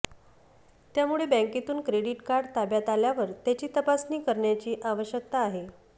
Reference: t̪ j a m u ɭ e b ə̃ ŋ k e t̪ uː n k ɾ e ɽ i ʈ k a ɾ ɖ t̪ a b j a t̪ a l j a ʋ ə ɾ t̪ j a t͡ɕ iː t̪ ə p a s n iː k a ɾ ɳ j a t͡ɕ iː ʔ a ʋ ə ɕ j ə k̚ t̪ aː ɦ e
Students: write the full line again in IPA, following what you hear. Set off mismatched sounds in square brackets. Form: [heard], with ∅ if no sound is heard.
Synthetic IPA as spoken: t̪ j a m u ɭ e b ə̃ ŋ k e t̪ uː n k ɾ e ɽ i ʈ k a ɾ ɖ t̪ a b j a t̪ a l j a ʋ ə ɾ t̪ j a t͡ɕ iː t̪ ə p a s n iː k [ə] ɾ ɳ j a t͡ɕ iː ʔ a ʋ ə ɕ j ə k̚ t̪ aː ɦ e